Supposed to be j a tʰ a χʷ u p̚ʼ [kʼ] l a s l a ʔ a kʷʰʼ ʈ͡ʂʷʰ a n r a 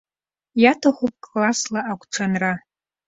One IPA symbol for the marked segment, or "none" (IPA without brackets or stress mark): kʼ